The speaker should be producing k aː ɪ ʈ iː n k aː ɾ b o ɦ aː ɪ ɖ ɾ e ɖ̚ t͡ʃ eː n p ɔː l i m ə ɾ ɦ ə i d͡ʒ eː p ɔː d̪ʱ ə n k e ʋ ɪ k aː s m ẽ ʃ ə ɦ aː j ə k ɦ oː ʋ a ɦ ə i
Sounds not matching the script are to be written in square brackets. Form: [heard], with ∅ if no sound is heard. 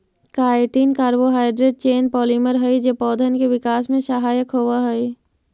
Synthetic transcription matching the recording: k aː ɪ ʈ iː n k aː ɾ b o ɦ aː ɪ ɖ ɾ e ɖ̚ t͡ʃ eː n p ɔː l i m ə ɾ ɦ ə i d͡ʒ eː p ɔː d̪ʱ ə n k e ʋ ɪ k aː s m ẽ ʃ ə ɦ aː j ə k ɦ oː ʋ a ɦ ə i